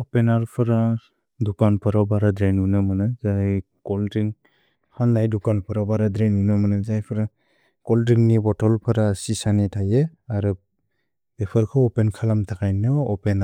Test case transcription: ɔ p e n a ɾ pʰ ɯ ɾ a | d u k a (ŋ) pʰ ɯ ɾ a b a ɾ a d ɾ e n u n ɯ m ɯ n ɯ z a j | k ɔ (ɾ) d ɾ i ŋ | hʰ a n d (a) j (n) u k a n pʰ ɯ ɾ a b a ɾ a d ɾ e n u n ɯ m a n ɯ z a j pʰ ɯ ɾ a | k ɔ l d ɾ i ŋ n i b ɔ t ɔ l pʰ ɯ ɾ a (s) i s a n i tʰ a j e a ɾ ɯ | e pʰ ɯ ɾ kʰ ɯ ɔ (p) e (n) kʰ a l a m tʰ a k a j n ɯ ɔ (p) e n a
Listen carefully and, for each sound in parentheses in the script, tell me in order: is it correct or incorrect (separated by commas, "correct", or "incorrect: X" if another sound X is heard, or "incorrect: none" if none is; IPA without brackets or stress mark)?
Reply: incorrect: n, incorrect: l, correct, incorrect: d, correct, correct, correct, correct